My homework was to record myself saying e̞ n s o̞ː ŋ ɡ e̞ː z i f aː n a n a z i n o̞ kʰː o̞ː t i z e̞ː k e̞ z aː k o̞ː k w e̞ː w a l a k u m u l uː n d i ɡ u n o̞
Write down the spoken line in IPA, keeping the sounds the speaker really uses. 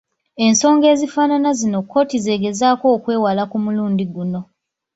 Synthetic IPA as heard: e̞ n s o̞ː ŋ ɡ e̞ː z i f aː n a n a z i n o̞ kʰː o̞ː t i z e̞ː ɡ e̞ z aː k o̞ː k w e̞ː w a l a k u m u l uː n d i ɡ u n o̞